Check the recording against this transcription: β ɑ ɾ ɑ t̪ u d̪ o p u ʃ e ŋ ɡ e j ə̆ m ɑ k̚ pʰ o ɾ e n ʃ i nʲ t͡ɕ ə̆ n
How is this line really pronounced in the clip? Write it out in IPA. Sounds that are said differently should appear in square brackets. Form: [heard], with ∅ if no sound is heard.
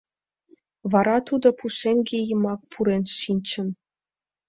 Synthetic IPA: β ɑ ɾ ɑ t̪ u d̪ o p u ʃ e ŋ ɡ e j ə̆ m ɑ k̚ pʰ [u] ɾ e n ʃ i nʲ t͡ɕ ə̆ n

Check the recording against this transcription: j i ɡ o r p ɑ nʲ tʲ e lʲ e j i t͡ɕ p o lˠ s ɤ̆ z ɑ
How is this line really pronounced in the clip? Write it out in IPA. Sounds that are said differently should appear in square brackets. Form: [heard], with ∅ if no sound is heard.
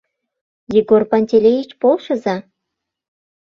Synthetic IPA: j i ɡ o r p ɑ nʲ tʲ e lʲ e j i t͡ɕ p o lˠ [ʃ] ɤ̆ z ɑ

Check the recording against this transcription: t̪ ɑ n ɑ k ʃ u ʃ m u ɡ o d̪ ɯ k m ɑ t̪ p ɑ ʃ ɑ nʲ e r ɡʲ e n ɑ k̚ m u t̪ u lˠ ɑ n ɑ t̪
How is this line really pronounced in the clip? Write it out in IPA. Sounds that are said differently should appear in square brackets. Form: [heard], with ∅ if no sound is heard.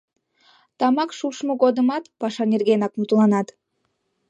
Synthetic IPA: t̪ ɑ [m] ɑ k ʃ u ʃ m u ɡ o d̪ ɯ [∅] m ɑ t̪ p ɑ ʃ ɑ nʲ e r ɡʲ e n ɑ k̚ m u t̪ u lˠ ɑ n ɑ t̪

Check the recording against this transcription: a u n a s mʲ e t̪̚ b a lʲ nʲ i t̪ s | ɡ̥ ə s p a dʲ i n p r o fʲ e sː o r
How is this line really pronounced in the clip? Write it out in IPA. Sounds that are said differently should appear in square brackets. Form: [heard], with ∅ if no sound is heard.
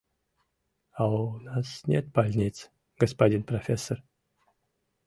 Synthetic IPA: a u n a s [nʲ] e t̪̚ b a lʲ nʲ i t̪ s | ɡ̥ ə s p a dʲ i n p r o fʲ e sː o r

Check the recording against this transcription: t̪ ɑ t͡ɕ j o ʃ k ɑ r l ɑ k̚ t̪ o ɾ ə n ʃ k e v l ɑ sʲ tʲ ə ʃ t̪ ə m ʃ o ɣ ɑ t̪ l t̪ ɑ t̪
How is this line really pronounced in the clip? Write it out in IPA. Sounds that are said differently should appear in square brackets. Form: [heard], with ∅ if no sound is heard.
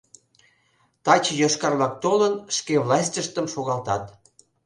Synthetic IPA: t̪ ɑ t͡ɕ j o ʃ k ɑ r l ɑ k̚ t̪ o [l] ə n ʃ k e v l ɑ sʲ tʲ ə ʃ t̪ ə m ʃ o ɣ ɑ [∅] l t̪ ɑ t̪

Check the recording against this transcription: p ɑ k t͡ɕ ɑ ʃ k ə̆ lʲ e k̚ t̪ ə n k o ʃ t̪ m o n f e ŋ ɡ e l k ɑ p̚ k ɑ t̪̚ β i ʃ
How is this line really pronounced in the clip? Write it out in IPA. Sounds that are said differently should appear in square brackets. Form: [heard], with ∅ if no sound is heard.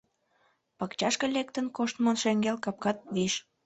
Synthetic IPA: p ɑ k t͡ɕ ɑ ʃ k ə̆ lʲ e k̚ t̪ ə n k o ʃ t̪ m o n [ʃ] e ŋ ɡ e l k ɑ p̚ k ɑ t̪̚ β i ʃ

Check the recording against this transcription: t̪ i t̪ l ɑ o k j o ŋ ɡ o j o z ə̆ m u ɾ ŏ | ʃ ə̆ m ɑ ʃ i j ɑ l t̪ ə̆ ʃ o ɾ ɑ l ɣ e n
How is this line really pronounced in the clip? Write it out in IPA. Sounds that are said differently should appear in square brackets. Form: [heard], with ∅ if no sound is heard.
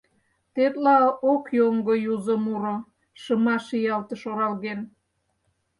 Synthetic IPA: t̪ [e] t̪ l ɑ o k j o ŋ ɡ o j [u] z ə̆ m u ɾ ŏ | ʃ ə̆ m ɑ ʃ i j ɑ l t̪ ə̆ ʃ o ɾ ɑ l ɣ e n

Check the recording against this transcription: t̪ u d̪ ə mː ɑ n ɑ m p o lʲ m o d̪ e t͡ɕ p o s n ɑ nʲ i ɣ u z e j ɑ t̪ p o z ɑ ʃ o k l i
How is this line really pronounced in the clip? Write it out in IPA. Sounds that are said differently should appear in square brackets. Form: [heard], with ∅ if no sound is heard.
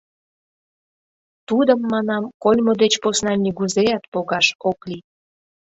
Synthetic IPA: t̪ u d̪ ə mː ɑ n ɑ m [k] o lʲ m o d̪ e t͡ɕ p o s n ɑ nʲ i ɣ u z e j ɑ t̪ p o [ɣ] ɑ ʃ o k l i

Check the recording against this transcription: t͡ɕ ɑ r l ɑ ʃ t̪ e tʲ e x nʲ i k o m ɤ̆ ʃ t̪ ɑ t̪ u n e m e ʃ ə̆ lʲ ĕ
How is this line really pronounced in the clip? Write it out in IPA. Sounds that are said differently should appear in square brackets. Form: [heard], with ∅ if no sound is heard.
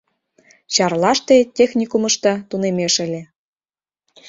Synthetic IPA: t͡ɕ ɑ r l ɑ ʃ t̪ e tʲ e x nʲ i k [u] m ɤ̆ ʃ t̪ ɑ t̪ u n e m e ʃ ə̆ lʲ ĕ

